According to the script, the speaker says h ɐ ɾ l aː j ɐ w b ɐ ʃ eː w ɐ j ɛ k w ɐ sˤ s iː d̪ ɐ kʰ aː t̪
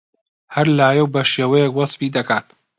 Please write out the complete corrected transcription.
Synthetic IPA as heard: h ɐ ɾ l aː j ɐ w b ɐ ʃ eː w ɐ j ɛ k w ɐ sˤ f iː d̪ ɐ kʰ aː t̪